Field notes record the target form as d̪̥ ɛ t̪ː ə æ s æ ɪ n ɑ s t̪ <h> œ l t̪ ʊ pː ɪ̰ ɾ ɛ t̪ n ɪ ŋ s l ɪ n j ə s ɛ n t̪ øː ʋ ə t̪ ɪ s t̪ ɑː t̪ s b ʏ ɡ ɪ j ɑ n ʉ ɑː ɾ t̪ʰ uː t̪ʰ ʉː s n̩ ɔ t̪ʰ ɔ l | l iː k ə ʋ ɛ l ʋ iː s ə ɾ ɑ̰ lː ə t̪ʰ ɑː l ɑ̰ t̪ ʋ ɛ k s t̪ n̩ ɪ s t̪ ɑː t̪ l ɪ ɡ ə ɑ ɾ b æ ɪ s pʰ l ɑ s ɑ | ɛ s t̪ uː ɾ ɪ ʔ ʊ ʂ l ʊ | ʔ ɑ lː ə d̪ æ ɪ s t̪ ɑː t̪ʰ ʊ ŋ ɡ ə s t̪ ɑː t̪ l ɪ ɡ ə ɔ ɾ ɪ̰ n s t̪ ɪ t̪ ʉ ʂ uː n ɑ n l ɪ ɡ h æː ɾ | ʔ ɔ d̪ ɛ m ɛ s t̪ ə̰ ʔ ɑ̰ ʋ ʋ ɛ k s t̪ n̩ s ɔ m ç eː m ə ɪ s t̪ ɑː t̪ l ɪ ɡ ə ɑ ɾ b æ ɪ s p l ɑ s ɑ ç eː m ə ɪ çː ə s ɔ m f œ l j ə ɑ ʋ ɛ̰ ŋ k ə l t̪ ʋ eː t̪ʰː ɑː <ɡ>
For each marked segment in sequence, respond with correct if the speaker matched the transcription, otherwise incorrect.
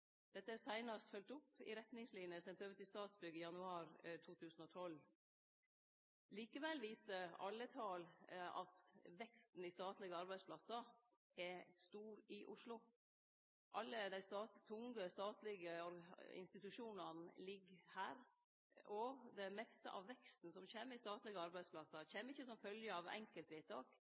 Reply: incorrect, incorrect

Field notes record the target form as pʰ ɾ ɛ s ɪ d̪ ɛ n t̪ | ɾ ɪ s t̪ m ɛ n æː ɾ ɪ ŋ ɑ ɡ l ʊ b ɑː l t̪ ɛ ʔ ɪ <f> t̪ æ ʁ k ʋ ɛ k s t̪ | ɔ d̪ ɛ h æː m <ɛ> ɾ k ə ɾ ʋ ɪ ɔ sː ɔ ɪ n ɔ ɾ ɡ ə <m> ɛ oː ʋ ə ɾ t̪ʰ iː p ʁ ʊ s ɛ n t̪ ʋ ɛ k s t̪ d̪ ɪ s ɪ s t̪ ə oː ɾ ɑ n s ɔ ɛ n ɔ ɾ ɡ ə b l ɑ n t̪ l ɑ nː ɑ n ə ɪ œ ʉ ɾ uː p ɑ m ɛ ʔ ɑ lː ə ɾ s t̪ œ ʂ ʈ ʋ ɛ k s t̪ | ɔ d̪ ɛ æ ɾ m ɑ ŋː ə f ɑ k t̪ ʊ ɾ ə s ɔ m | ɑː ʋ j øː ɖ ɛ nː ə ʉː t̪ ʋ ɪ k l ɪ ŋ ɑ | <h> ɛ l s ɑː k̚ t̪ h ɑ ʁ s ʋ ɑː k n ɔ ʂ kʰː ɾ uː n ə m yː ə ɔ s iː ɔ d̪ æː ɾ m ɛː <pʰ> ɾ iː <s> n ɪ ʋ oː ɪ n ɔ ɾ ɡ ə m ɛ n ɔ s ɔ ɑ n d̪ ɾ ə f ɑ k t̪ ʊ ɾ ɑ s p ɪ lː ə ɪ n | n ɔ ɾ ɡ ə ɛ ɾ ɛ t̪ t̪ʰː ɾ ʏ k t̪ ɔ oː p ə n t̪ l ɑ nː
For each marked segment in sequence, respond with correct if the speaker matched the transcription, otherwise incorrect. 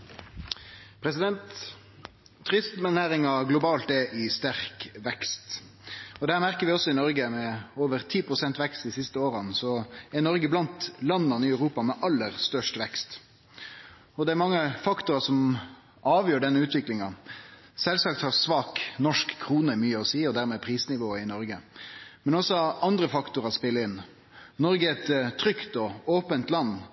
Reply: incorrect, incorrect, correct, incorrect, correct, correct

